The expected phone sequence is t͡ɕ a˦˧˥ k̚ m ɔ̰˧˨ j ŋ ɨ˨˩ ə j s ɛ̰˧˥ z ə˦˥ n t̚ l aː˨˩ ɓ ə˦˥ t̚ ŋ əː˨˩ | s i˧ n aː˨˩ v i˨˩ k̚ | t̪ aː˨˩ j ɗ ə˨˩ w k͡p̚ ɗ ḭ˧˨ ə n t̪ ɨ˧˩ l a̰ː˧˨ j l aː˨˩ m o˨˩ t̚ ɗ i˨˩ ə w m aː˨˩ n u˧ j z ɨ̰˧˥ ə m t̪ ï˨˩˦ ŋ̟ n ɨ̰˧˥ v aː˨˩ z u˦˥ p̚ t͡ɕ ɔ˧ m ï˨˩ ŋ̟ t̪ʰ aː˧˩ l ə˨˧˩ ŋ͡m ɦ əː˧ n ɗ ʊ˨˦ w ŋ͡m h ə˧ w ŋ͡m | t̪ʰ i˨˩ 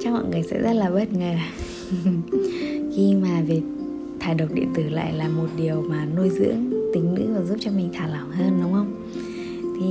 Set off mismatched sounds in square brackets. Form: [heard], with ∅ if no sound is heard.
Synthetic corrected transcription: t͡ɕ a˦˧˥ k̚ m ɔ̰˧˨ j ŋ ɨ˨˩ ə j s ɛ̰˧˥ z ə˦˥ [∅] t̚ l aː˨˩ ɓ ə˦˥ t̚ ŋ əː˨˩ | [x] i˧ [m] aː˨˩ v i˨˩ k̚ | [t̪ʰ] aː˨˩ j ɗ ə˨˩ w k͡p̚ ɗ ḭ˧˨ ə n t̪ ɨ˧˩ l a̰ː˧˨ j l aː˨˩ m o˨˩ t̚ ɗ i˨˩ ə w m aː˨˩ n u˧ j z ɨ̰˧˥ ə [ŋ] t̪ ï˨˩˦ ŋ̟ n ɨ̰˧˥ v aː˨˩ z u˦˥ p̚ t͡ɕ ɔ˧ m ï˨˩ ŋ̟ t̪ʰ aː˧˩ l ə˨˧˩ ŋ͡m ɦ əː˧ n ɗ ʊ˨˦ w ŋ͡m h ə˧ w ŋ͡m | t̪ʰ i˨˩